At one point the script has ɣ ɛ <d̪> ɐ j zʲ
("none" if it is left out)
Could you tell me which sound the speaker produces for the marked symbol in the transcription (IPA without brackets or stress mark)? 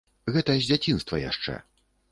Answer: t̪